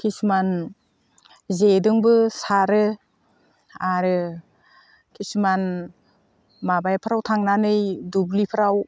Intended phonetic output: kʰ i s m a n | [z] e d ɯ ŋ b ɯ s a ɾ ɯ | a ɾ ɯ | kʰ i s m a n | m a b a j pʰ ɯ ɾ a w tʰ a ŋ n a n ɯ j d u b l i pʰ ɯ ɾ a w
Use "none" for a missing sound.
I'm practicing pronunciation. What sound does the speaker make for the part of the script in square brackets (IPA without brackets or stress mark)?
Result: z